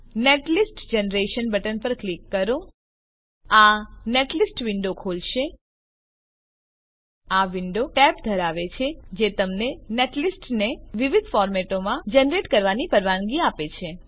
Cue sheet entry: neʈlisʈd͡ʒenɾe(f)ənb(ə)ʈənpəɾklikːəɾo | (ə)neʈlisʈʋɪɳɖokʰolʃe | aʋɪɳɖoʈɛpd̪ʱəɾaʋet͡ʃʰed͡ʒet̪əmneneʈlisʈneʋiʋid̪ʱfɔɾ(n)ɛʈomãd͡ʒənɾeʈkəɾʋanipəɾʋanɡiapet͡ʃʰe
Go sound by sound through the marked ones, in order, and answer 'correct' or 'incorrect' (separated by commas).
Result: incorrect, correct, incorrect, incorrect